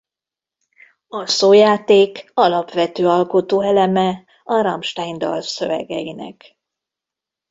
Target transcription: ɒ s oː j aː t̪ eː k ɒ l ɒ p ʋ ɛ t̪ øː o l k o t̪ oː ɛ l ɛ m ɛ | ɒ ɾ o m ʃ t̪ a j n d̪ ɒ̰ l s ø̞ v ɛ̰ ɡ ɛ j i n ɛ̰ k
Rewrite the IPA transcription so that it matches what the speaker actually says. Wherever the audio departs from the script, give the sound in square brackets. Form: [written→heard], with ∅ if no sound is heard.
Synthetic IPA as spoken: ɒ s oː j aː t̪ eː k ɒ l ɒ p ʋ ɛ t̪ øː [o→ɒ] l k o t̪ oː ɛ l ɛ m ɛ | ɒ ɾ [o→ɒ] m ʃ t̪ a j n d̪ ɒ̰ l s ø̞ v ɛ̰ ɡ ɛ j i n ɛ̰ k

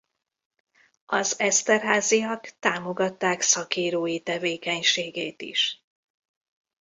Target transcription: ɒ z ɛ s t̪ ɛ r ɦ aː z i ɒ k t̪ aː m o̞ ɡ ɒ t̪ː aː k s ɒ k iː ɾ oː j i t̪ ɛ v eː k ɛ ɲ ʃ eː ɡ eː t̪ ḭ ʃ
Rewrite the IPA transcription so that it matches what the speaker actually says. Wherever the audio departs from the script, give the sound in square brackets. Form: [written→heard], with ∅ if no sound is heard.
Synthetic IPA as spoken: ɒ z ɛ s t̪ ɛ r ɦ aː z i ɒ k t̪ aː m o̞ ɡ ɒ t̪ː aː k s ɒ k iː ɾ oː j i t̪ ɛ v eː k ɛ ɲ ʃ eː ɡ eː t̪ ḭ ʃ

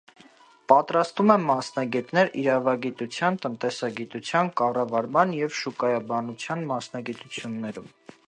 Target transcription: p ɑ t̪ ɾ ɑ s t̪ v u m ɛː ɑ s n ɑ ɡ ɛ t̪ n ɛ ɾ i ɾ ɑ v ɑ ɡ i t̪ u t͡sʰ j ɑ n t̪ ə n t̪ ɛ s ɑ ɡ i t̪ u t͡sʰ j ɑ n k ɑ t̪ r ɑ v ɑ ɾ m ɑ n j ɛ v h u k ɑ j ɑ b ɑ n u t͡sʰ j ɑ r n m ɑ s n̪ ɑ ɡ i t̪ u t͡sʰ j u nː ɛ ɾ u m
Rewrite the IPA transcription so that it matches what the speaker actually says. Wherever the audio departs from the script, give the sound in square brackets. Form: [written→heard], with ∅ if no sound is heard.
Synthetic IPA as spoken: p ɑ t̪ ɾ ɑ s t̪ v u m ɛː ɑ s n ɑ ɡ ɛ t̪ n ɛ ɾ i ɾ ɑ v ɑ ɡ i t̪ u t͡sʰ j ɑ n t̪ ə n t̪ ɛ s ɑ ɡ i t̪ u t͡sʰ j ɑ n k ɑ [t̪→∅] r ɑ v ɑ ɾ m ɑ n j ɛ v [h→ʃ] u k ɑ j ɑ b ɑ n u t͡sʰ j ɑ [r→∅] n m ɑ s n̪ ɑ ɡ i t̪ u t͡sʰ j u nː ɛ ɾ u m

